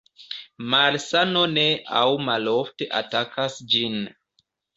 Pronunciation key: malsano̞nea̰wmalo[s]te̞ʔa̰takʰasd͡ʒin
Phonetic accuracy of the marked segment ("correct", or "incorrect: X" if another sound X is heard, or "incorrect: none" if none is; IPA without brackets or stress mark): incorrect: f